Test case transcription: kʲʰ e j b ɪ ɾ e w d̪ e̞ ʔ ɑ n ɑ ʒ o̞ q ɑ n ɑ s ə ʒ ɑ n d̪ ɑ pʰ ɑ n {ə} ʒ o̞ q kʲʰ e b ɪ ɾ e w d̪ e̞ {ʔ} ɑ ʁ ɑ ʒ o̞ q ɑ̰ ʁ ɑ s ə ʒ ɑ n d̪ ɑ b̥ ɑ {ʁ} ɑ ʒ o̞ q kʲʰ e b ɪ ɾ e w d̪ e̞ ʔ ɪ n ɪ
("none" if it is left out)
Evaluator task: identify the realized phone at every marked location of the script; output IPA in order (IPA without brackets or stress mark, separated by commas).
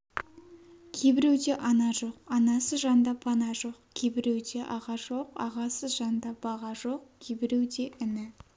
ɑ, ʔ, ʁ